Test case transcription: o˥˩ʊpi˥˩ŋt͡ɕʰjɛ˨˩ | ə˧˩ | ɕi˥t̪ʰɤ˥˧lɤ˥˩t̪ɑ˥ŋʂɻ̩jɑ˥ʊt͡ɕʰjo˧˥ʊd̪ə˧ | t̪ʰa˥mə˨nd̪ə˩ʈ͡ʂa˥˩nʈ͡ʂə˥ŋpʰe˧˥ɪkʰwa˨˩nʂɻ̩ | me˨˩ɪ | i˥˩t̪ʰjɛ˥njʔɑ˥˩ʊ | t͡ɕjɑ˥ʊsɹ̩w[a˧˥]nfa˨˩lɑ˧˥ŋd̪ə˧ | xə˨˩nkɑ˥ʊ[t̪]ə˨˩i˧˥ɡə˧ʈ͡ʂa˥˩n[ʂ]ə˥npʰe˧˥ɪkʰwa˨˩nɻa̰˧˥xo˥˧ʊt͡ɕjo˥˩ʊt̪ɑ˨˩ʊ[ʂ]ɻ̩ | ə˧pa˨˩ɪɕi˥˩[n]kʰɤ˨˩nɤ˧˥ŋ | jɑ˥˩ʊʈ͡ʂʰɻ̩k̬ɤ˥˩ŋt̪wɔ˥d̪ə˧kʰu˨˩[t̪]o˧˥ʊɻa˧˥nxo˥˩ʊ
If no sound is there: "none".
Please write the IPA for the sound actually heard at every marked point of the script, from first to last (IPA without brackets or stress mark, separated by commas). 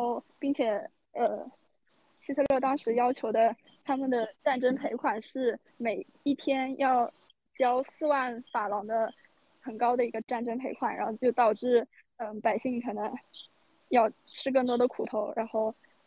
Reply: a˥˩, d̪, ʈ͡ʂ, ʈ͡ʂ, ŋ, t̪ʰ